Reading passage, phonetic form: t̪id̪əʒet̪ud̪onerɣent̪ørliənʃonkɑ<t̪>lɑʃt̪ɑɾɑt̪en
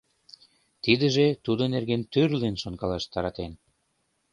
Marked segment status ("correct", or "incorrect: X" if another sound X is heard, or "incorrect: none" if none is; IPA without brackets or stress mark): incorrect: none